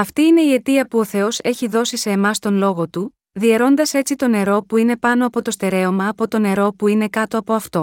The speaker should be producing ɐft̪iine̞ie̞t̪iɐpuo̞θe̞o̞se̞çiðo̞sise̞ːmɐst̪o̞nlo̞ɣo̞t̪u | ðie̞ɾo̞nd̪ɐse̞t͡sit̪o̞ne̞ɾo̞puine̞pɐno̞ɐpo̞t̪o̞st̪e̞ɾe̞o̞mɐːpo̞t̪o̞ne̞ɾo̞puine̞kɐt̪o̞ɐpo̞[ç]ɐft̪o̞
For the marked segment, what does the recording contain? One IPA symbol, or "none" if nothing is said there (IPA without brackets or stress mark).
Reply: none